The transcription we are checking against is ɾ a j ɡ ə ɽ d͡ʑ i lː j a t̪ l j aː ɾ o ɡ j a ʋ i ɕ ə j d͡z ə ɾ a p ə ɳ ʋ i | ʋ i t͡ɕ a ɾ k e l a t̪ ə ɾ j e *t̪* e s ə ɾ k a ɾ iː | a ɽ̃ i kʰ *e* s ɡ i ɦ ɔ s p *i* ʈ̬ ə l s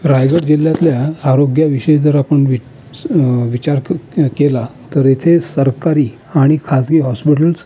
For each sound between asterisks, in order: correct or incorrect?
incorrect: t̪ʰ, incorrect: a, correct

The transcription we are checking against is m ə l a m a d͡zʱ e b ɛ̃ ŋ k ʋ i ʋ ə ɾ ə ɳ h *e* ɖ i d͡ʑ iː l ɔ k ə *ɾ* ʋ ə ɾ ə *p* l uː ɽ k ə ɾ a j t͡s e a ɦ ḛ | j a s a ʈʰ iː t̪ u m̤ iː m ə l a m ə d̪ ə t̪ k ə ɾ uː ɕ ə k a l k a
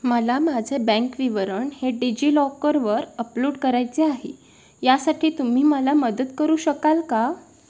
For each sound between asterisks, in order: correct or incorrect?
correct, correct, correct

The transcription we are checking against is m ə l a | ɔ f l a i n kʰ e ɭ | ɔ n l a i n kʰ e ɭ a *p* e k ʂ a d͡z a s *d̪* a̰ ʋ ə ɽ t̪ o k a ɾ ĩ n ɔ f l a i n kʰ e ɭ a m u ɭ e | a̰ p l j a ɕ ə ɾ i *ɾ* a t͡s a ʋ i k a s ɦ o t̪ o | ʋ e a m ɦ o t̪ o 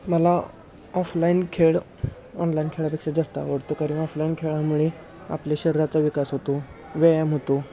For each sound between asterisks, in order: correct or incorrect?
correct, incorrect: t̪, correct

